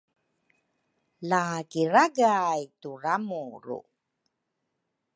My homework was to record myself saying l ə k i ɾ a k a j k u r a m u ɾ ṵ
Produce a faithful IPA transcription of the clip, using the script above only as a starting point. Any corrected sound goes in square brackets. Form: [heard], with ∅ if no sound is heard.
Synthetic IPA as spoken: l [a] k i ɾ a [ɡ] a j [t] u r a m u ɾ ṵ

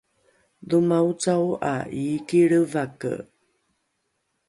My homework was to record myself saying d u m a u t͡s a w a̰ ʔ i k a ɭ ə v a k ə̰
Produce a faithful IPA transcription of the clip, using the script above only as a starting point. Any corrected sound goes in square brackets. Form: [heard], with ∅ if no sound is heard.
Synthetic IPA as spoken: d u m a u t͡s a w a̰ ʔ i k [i] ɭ ə v a k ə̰

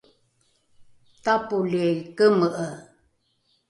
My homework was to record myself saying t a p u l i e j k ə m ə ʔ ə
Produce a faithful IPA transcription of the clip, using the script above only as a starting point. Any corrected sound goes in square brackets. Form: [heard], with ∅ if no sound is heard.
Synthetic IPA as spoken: t a p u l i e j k ə m ə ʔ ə

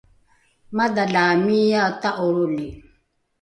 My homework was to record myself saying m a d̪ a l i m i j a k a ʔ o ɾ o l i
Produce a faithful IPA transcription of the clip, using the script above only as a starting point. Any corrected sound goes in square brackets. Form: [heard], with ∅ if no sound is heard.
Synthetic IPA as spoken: m a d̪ a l [a] m i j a [t] a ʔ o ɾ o l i

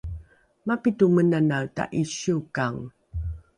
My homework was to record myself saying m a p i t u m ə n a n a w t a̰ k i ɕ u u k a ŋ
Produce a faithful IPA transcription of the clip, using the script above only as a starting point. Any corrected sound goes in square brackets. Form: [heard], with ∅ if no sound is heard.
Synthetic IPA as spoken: m a p i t u m ə n a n a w t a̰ [ʔ] i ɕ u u k a ŋ

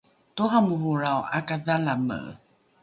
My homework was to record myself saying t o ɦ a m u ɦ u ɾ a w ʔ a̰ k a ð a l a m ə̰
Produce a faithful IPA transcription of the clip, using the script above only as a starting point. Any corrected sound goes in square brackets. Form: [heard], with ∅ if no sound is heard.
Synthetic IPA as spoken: t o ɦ a m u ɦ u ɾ a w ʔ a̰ k a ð a l a m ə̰

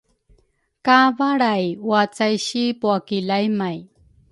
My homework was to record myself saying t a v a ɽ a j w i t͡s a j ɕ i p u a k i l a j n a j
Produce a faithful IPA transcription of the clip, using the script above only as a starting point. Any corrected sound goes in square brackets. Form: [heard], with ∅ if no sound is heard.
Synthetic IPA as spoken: [k] a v a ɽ a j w [a] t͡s a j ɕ i p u a k i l a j [m] a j

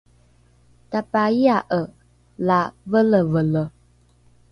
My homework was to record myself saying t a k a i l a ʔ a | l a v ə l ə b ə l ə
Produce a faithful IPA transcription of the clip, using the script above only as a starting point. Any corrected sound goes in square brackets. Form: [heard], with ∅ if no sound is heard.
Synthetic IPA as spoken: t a [p] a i [∅] a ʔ [ə] | l a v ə l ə [v] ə l ə

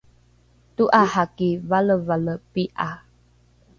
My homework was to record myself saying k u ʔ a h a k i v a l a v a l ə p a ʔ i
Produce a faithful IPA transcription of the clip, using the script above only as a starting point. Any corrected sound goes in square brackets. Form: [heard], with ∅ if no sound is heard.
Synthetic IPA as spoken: [t] u ʔ a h a k i v a l [ə] v a l ə p [i] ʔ [a]

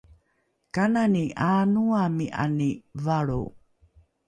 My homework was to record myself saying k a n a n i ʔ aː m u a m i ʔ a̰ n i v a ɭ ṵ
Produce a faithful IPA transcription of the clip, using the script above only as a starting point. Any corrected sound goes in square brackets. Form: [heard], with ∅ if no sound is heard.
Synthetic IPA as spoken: k a n a n i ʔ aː [n] u a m i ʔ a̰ n i v a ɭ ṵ

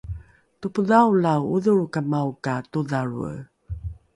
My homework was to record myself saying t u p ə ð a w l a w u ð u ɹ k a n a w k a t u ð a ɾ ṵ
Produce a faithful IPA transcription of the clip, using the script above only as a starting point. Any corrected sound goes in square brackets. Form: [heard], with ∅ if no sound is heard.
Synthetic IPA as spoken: t u p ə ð a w l a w u ð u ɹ k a [m] a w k a t u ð a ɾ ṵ

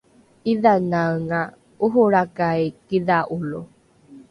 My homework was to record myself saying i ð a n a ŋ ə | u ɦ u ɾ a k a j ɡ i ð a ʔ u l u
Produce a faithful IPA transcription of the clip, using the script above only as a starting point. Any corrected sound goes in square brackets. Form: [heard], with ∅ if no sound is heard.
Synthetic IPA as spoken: i ð a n a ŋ [a] | u ɦ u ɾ a k a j [k] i ð a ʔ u l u

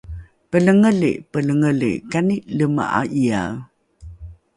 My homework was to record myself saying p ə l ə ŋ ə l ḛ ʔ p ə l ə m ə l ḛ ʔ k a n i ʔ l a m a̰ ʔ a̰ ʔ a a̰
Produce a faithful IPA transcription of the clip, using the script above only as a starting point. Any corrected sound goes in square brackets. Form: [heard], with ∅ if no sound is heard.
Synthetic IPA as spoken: p ə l ə ŋ ə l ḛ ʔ p ə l ə [ŋ] ə l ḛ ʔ k a n i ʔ l [ə] m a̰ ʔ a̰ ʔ [i] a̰

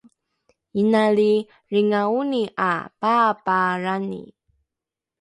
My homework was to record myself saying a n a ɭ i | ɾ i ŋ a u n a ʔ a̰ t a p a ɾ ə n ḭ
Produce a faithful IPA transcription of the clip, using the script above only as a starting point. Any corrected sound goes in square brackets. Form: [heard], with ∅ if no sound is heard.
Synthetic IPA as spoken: [i] n a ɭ i | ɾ i ŋ a u n [i] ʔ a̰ [p] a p a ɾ [a] n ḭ

